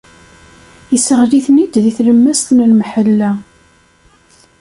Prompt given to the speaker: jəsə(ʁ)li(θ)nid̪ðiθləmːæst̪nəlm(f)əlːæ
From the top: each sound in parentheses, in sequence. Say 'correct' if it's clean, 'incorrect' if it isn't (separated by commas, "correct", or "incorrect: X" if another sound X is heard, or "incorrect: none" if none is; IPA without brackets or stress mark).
correct, correct, incorrect: ħ